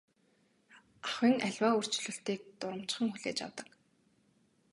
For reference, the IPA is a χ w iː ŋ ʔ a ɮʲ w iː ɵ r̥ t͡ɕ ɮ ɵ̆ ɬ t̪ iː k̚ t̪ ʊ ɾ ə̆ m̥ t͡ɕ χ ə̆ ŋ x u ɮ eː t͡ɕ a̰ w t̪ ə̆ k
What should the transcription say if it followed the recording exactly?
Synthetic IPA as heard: a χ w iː ŋ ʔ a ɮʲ w aː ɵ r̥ t͡ɕ ɮ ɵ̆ ɬ t̪ iː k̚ t̪ ʊ ɾ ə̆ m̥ t͡ɕ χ ə̆ ŋ x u ɮ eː t͡ɕ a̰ w t̪ ə̆ k